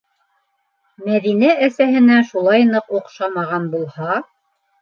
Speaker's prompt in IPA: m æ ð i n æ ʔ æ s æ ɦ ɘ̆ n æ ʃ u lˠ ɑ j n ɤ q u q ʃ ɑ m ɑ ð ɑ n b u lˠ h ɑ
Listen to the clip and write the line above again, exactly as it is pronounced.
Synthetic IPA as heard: m æ ð i n æ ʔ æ s æ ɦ ɘ̆ n æ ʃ u lˠ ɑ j n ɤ q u q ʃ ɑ m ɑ ʁ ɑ n b u lˠ h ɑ